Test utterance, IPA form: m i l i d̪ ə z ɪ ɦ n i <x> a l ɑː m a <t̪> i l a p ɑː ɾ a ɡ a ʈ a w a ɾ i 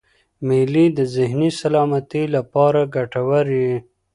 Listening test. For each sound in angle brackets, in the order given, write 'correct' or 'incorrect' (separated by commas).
incorrect, correct